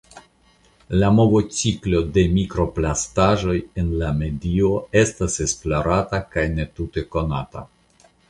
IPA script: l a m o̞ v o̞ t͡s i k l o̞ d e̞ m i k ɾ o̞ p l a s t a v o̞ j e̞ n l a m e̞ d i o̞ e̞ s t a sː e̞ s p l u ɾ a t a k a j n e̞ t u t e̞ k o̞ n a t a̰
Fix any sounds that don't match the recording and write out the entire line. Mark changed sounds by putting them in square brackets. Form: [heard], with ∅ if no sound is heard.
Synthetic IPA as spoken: l a m o̞ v o̞ t͡s i k l o̞ d e̞ m i k ɾ o̞ p l a s t a [ʒ] o̞ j e̞ n l a m e̞ d i o̞ e̞ s t a [s] e̞ s p l [o] ɾ a t a k a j n e̞ t u t e̞ k o̞ n a t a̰